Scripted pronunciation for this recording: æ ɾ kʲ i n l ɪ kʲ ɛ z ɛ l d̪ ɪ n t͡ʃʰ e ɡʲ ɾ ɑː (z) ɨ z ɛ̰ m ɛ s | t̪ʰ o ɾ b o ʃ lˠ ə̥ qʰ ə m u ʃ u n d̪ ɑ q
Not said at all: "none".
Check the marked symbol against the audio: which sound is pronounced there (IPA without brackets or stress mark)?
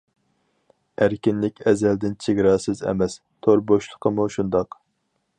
s